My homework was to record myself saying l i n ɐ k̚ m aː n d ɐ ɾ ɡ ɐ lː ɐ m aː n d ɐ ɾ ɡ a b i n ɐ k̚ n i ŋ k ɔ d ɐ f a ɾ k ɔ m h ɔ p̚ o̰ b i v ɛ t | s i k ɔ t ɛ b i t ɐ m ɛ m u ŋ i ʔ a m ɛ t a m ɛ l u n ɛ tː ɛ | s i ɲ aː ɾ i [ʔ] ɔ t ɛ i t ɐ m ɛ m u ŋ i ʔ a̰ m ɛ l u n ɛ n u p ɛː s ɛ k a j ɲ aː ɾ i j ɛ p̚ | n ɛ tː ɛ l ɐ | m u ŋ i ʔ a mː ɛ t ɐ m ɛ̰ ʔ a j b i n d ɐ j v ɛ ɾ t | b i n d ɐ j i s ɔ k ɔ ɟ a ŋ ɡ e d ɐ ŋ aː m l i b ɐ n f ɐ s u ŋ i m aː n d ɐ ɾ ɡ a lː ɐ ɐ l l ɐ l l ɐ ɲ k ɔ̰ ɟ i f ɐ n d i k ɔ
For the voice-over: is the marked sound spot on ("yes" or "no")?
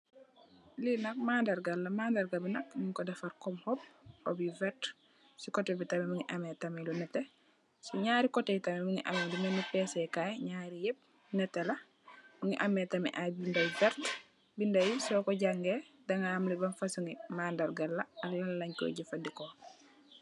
no